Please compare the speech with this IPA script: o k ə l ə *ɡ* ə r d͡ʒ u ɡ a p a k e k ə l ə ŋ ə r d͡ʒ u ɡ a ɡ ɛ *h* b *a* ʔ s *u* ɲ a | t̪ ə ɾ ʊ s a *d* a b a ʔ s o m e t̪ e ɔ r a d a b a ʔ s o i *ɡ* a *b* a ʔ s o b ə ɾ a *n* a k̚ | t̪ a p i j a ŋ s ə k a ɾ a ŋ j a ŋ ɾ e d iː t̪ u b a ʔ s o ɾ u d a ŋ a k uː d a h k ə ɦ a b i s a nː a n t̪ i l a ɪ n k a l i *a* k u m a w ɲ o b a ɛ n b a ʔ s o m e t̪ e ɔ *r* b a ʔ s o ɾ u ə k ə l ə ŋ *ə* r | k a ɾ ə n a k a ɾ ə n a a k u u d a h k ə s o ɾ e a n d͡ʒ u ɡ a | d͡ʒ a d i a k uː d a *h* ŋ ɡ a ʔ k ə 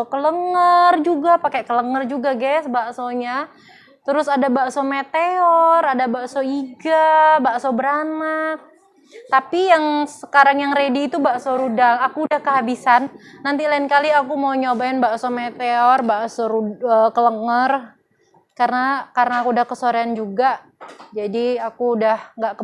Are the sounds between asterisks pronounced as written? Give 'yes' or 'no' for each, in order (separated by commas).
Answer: no, no, yes, no, yes, yes, yes, yes, yes, yes, yes, yes